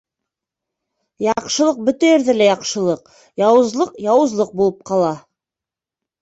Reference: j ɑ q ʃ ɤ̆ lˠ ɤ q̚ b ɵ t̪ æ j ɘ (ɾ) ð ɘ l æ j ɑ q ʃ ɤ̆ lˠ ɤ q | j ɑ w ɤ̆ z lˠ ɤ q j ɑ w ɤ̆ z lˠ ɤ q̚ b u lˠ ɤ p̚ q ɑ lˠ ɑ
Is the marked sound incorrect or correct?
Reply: correct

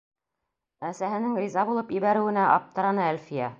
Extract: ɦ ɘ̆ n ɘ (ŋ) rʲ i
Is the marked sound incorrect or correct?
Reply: correct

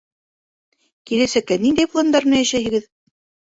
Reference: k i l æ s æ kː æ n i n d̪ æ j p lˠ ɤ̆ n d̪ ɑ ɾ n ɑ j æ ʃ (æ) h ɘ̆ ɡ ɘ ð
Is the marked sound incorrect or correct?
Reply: correct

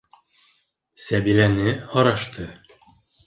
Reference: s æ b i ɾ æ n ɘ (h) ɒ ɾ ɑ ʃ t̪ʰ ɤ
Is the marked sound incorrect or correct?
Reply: correct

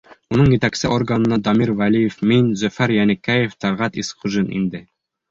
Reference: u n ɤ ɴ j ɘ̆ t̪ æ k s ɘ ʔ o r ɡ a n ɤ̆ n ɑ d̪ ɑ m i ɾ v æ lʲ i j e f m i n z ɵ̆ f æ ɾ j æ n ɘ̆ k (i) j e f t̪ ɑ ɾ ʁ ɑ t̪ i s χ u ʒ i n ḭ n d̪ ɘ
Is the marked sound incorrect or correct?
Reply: incorrect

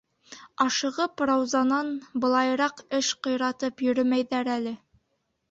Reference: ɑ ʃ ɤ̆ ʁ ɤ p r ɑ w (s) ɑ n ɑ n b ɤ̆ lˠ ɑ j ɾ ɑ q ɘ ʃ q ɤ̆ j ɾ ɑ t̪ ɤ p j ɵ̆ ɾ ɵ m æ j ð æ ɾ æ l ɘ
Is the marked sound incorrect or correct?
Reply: incorrect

